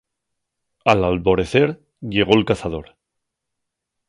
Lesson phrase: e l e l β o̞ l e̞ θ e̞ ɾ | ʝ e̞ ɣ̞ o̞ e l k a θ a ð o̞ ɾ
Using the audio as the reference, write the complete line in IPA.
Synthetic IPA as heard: a l a l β o̞ ɾ e̞ θ e̞ ɾ | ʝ e̞ ɣ̞ o̞ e l k a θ a ð o̞ ɾ